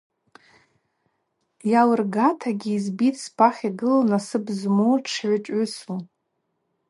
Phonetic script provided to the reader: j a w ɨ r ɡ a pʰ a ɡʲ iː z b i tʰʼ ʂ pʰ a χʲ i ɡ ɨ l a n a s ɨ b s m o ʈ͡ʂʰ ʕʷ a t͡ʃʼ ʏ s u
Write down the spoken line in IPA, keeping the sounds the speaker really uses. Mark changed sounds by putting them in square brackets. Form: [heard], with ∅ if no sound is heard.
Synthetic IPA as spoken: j a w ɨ r ɡ a [tʰ] a ɡʲ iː z b i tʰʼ [s] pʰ a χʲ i ɡ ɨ l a n a s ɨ b [z] m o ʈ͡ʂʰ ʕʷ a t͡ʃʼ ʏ s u